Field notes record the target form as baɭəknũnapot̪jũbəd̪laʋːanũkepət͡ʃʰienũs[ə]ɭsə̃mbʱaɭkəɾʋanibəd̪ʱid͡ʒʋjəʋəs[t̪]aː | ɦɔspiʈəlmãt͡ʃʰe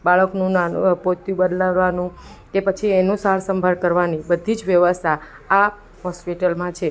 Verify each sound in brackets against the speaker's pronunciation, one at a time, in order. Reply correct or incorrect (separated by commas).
incorrect, incorrect